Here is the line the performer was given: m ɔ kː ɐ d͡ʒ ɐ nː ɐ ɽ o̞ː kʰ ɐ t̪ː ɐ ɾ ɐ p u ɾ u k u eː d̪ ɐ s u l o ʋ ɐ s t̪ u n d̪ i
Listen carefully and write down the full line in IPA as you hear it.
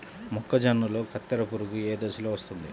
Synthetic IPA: m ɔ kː ɐ d͡ʒ ɐ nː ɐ l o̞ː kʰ ɐ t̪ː ɐ ɾ ɐ p u ɾ u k u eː d̪ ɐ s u l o ʋ ɐ s t̪ u n d̪ i